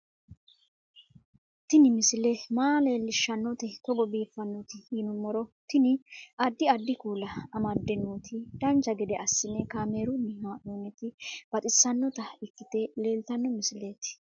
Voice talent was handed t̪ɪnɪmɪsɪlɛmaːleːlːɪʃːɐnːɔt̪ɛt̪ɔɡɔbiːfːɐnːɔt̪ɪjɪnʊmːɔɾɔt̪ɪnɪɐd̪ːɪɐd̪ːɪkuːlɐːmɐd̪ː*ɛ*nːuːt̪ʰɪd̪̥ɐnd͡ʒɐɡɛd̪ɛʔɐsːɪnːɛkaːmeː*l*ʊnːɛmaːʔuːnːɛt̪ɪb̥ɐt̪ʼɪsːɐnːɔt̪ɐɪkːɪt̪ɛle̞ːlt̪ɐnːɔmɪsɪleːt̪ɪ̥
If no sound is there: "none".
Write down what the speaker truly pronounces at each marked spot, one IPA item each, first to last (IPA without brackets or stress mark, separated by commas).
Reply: ɛ, ɾ